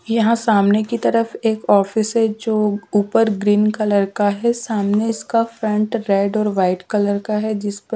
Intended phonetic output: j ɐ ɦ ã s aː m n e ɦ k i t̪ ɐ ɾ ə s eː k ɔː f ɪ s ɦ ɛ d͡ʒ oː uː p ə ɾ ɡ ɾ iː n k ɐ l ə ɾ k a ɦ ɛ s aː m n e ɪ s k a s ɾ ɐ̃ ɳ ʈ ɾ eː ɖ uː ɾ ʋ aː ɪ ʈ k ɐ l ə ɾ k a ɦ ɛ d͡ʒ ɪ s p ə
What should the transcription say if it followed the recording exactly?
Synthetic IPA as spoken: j ɐ ɦ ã s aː m n e k i t̪ ɐ ɾ ə f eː k ɔː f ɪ s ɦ ɛ d͡ʒ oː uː p ə ɾ ɡ ɾ iː n k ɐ l ə ɾ k a ɦ ɛ s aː m n e ɪ s k a f ɾ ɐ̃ ɳ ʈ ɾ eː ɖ ɔː ɾ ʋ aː ɪ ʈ k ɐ l ə ɾ k a ɦ ɛ d͡ʒ ɪ s p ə